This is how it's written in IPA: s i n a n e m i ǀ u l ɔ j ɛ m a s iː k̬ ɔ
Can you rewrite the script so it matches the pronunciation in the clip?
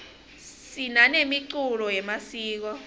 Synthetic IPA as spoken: s i n a n e m i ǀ u l ɔ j ɛ m a s iː k̬ ɔ

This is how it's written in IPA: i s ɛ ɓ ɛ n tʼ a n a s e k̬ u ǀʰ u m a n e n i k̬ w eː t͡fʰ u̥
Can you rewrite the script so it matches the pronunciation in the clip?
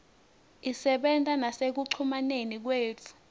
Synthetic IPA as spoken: i s ɛ ɓ ɛ n tʼ a n a s e k̬ u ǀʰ u m a n e n i k̬ w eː t͡fʰ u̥

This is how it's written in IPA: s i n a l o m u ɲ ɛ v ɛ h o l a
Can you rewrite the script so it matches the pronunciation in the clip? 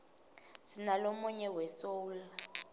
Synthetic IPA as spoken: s i n a l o m u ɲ ɛ w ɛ s o l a

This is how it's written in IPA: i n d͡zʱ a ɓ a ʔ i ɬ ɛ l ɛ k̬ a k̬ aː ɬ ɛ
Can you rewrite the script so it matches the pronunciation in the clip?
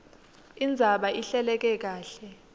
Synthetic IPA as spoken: i n d͡zʱ a ɓ a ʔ i ɬ ɛ l ɛ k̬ ɛ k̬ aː ɬ ɛ

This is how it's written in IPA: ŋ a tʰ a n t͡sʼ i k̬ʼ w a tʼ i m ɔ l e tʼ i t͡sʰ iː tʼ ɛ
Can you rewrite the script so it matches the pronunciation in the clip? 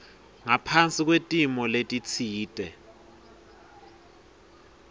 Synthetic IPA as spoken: ŋ a pʰ a n t͡sʼ i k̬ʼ w e tʼ i m ɔ l e tʼ i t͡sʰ iː tʼ ɛ

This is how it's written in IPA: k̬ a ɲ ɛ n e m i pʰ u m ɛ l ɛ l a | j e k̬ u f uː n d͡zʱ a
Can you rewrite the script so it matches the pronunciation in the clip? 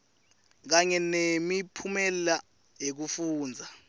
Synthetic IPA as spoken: k̬ a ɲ ɛ n e m i pʰ u m ɛ l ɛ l a | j e k̬ u f uː n d͡zʱ a

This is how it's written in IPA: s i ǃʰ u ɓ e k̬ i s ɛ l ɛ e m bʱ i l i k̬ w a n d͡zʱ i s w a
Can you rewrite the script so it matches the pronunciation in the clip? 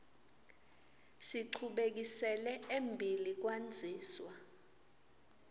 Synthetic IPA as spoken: s i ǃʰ u ɓ e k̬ i s ɛ l ɛ e m bʱ i l i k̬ w a n d͡zʱ iː s w a

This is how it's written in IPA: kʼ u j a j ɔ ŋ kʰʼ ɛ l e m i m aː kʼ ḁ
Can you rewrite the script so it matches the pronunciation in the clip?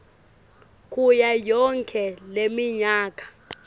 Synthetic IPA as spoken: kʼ u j a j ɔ ŋ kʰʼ ɛ l e m i ɲ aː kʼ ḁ

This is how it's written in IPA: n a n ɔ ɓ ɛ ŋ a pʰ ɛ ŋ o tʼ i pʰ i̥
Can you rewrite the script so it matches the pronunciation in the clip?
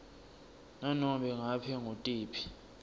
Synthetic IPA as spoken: n a n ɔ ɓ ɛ ŋ a pʰ ɛ ŋ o tʼ iː pʰ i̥

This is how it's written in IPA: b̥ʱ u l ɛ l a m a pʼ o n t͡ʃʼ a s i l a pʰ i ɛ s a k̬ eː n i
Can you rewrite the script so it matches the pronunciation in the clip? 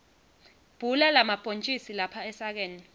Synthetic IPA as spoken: b̥ʱ u l ɛ l a m a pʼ o n t͡ʃʼ i s i l a pʰ a ɛ s a k̬ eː n i

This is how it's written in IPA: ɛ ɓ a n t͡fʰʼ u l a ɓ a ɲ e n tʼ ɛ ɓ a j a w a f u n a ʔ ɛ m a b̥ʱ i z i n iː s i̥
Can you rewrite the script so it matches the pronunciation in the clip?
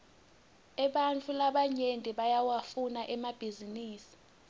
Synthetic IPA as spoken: ɛ ɓ a n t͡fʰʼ u l a ɓ a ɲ e n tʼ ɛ ɓ a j a w a f u n a ʔ ɛ m a b̥ʱ i z i n iː s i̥

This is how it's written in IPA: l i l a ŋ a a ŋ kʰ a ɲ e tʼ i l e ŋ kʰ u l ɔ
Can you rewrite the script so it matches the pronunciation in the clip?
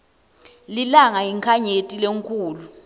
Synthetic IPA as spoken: l i l a ŋ a i ŋ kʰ a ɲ e tʼ i l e ŋ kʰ uː l u

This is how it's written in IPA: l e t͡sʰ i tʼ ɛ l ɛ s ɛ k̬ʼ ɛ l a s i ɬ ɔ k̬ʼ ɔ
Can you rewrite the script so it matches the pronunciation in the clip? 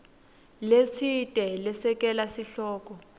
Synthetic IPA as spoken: l e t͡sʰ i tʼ ɛ l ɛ s ɛ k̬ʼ ɛ l a s i ɬ ɔː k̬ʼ ɔ

